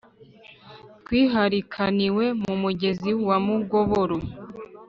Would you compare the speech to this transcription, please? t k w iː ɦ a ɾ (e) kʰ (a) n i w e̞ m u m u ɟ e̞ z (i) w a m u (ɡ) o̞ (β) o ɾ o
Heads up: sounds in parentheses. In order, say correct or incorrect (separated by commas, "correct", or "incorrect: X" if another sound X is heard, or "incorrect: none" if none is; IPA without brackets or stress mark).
incorrect: i, correct, correct, correct, correct